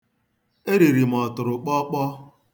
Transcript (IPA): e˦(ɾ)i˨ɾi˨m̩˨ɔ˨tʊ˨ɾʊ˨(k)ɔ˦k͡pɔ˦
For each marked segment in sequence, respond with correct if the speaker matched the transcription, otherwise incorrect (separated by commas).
correct, incorrect